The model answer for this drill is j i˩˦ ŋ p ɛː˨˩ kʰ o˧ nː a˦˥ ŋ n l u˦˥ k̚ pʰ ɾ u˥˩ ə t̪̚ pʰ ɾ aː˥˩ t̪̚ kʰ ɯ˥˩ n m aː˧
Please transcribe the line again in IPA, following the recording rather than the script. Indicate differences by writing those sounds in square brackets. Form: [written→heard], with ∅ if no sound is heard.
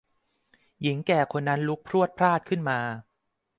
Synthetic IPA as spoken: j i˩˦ ŋ [p→k] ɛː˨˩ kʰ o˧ nː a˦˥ [ŋ→∅] n l u˦˥ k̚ pʰ ɾ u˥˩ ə t̪̚ pʰ ɾ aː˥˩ t̪̚ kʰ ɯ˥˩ n m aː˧